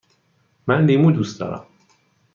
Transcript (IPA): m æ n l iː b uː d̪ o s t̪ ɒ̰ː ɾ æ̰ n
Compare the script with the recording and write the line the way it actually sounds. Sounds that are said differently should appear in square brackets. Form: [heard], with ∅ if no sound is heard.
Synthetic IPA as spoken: m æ n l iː [m] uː d̪ [u] s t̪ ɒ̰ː ɾ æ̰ [m]